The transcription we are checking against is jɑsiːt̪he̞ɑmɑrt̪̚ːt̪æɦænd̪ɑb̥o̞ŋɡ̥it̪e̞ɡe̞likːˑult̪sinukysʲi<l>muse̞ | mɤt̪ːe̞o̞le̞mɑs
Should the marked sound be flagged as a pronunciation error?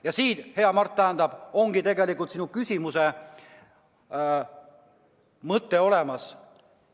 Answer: yes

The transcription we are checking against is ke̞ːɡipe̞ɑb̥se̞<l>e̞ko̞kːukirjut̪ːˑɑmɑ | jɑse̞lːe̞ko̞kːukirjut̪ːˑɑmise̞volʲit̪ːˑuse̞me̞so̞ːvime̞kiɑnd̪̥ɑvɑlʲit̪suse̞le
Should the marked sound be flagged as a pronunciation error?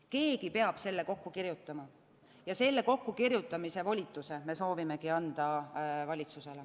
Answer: yes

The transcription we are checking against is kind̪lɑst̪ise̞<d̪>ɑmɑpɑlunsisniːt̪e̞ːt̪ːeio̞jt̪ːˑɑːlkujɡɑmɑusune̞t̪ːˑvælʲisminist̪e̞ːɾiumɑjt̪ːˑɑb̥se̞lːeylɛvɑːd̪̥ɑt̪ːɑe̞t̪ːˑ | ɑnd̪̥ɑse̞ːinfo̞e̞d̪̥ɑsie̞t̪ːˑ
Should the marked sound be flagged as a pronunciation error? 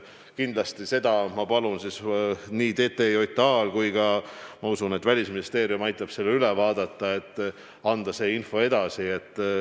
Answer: no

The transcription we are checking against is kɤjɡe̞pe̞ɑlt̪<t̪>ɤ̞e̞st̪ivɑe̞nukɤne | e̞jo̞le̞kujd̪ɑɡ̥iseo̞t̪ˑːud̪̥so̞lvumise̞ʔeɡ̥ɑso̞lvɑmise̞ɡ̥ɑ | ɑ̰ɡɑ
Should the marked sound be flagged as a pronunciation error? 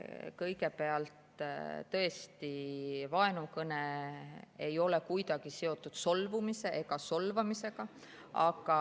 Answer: no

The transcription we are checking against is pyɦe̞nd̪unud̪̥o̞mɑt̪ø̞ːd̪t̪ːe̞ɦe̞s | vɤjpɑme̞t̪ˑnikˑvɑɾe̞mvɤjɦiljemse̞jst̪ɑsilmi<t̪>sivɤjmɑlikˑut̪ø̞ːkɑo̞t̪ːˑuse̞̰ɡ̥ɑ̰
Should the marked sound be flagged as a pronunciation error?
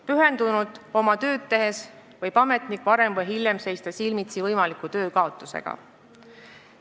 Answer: no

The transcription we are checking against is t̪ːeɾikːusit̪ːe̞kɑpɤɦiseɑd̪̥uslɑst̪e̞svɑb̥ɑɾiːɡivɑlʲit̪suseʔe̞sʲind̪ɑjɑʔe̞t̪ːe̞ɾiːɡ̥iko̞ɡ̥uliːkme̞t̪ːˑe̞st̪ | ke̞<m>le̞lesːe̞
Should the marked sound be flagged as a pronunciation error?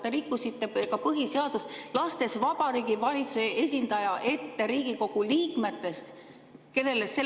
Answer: yes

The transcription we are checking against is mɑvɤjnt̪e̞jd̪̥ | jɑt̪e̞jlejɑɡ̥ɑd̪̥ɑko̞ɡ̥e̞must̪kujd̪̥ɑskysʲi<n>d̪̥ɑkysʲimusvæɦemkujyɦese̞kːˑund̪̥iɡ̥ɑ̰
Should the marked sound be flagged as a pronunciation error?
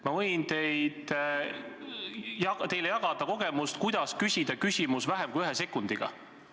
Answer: yes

